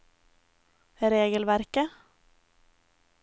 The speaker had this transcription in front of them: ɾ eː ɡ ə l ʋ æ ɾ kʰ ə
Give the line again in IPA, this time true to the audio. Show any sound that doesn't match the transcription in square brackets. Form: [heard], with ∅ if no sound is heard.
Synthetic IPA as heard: ɾ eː ɡ ə l ʋ æ ɾ [k] ə